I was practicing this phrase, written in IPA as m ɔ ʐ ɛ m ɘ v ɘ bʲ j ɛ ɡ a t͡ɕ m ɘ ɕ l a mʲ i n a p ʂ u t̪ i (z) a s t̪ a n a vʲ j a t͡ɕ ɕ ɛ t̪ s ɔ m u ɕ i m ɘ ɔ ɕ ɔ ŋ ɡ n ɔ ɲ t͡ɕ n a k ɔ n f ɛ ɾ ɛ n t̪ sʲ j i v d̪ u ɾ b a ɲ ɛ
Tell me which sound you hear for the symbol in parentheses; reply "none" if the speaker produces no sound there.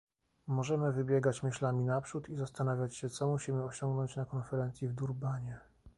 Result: z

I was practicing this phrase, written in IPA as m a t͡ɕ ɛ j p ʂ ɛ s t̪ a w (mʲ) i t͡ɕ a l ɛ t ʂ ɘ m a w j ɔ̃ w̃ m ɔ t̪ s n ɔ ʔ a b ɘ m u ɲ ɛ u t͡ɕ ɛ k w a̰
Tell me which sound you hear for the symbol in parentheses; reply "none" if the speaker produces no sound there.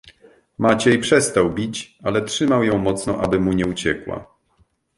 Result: bʲ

